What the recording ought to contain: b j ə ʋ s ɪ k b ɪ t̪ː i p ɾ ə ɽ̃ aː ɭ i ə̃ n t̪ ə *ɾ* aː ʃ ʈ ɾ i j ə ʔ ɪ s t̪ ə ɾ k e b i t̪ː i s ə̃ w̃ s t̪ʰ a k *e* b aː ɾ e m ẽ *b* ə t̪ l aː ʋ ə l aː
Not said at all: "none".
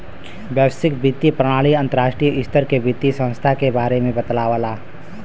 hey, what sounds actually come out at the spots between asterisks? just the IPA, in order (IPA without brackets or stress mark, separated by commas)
ɾ, e, b